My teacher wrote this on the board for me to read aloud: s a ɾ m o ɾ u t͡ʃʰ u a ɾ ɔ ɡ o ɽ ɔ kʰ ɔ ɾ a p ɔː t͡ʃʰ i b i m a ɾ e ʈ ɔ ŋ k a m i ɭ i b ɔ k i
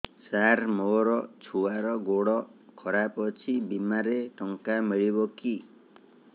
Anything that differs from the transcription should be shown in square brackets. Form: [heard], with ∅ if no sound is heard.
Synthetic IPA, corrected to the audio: s a ɾ m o ɾ [ɔ] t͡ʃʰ u a ɾ ɔ ɡ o ɽ ɔ kʰ ɔ ɾ a p [ɔ] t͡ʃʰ i b i m a ɾ e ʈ ɔ ŋ k a m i ɭ i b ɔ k i